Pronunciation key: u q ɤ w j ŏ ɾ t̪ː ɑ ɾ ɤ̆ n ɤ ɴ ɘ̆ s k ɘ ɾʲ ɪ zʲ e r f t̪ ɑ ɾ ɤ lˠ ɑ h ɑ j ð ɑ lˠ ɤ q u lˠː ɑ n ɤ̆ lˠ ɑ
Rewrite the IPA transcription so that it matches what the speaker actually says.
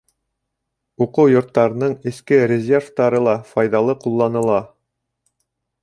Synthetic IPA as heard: u q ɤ w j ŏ ɾ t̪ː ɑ ɾ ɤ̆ n ɤ ɴ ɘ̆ s k ɘ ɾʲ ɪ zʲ e r f t̪ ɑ ɾ ɤ lˠ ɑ f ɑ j ð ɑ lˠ ɤ q u lˠː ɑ n ɤ̆ lˠ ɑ